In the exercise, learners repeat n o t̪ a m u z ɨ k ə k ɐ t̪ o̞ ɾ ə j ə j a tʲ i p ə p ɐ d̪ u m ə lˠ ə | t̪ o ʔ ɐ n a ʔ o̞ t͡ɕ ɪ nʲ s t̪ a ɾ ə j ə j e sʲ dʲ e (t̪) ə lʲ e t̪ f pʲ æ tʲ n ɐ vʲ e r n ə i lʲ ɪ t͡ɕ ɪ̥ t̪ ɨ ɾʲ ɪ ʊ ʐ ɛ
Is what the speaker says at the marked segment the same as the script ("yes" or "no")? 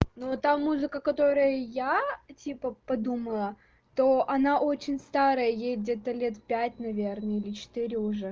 yes